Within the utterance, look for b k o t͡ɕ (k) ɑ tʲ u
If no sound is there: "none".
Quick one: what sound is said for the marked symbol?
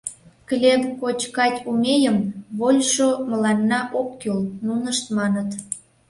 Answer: k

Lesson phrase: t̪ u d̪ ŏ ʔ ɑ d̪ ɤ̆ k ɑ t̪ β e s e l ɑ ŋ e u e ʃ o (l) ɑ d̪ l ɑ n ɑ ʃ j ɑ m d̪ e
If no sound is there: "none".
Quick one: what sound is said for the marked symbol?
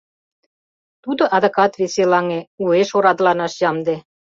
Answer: ɾ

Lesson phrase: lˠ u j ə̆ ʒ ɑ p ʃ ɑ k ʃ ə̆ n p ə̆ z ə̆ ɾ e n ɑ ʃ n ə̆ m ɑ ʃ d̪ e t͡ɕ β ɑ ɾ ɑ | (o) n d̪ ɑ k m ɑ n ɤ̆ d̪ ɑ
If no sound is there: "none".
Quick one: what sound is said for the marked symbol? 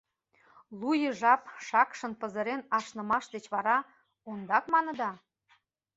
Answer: o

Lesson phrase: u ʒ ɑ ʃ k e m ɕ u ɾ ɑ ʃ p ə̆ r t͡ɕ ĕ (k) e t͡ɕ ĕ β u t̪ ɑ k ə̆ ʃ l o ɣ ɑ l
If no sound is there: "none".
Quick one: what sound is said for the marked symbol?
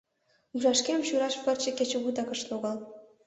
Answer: k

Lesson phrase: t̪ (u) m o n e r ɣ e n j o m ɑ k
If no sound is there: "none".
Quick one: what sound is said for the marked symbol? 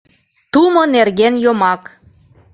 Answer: u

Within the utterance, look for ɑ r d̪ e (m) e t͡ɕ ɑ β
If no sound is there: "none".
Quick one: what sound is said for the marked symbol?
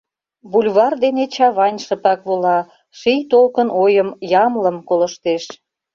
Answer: n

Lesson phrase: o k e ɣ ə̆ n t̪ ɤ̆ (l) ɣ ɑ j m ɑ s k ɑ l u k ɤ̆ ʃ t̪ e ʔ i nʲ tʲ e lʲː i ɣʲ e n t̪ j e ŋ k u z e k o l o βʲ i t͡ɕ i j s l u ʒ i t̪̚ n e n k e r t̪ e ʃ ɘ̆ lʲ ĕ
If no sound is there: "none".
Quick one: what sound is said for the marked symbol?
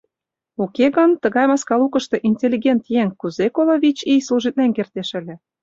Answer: none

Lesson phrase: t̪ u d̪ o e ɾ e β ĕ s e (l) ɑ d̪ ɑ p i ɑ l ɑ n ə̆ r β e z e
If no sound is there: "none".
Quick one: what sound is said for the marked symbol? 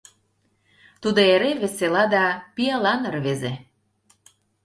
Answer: l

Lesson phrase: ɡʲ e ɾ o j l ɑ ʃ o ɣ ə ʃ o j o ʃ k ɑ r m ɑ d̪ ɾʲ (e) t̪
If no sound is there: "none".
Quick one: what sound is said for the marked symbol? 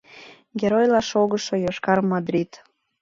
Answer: i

